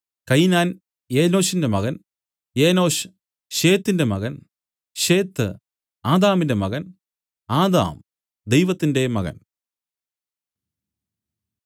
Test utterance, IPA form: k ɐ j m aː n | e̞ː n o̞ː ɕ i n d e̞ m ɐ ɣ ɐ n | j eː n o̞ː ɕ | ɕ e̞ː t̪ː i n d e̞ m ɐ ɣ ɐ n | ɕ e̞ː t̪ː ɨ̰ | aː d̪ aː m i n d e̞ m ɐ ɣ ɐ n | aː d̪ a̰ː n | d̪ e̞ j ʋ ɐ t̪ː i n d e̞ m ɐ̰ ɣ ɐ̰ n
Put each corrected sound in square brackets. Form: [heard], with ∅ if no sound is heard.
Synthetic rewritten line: k ɐ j [n] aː n | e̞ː n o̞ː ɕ i n d e̞ m ɐ ɣ ɐ n | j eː n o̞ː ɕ | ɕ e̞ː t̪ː i n d e̞ m ɐ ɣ ɐ n | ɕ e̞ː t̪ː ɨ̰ | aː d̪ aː m i n d e̞ m ɐ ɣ ɐ n | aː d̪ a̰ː [m] | d̪ e̞ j ʋ ɐ t̪ː i n d e̞ m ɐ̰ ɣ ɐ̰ n